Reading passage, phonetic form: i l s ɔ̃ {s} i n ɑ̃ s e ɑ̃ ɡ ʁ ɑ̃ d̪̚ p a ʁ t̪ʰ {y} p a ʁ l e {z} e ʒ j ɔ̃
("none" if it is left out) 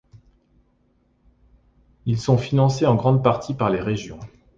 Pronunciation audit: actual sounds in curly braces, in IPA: f, i, ʁ

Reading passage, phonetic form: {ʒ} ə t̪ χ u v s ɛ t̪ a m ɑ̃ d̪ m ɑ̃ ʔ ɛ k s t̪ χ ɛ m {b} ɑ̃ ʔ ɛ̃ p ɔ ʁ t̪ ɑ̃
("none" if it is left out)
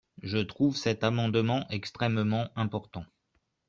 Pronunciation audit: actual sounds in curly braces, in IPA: ʒ, m

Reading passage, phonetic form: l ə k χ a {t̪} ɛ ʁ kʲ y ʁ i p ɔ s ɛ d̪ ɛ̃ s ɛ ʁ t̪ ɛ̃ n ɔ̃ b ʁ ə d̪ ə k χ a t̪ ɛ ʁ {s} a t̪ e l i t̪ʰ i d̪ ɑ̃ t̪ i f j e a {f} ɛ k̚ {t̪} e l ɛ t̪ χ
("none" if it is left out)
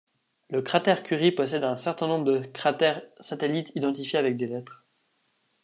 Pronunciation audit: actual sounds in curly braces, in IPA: t̪, s, v, d̪

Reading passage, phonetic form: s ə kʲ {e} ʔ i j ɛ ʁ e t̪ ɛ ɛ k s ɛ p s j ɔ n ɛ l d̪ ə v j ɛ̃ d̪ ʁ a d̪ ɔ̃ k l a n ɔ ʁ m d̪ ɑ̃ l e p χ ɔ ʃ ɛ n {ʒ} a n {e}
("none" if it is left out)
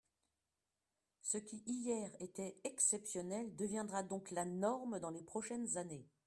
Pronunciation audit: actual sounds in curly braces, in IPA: i, z, e

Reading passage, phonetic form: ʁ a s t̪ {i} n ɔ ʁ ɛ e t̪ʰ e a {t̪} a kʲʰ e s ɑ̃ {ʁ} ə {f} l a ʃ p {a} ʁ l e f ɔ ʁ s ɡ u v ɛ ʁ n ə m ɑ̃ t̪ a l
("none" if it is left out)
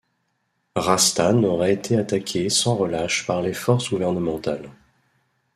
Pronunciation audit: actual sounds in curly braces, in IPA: a, t̪, ʁ, none, a

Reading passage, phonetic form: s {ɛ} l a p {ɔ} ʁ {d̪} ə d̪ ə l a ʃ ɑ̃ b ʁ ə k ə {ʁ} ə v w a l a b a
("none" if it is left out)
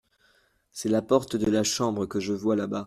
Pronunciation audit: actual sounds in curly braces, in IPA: ɛ, ɔ, t̪, ʒ

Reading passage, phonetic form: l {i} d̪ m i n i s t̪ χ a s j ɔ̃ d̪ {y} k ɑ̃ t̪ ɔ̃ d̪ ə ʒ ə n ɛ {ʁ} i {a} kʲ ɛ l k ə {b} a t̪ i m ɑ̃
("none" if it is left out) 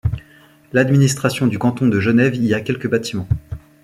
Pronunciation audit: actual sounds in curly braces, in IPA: a, y, v, a, b

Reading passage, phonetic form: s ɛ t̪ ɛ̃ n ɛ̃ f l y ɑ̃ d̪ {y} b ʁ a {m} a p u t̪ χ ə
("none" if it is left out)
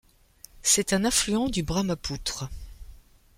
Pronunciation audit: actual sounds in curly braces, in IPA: y, m

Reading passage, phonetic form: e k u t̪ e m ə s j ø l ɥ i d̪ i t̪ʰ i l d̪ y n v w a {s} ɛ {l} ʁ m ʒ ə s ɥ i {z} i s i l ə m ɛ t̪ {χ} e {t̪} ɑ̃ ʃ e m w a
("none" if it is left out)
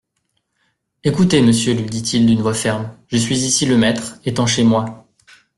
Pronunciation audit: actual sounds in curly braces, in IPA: f, none, z, χ, t̪

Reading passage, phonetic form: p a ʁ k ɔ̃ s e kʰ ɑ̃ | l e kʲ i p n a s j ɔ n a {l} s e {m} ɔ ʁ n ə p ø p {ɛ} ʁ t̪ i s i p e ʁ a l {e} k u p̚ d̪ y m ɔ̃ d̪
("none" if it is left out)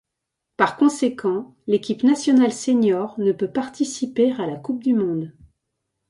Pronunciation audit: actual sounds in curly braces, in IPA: l, ɲ, a, a

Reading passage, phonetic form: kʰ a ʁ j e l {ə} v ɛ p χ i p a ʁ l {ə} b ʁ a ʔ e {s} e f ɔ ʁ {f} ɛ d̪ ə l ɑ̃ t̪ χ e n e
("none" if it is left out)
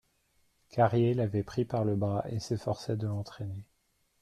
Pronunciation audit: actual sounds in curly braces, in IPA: a, ə, s, s

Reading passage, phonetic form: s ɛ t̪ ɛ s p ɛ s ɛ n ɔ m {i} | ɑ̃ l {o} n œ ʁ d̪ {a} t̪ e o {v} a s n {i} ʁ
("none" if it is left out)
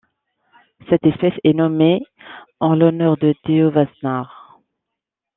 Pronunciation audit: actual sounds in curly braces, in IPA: e, ɔ, ə, v, a

